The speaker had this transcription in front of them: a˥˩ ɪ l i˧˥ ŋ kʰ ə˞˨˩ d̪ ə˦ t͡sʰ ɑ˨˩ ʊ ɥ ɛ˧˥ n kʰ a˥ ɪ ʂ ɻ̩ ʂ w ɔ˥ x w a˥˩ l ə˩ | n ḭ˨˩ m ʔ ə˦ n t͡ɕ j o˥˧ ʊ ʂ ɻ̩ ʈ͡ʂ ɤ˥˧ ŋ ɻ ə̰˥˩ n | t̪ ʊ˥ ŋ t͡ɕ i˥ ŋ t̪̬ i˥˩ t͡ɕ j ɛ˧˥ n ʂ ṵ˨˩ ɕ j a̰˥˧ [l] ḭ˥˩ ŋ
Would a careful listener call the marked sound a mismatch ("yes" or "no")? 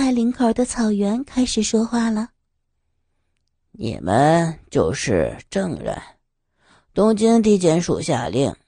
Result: no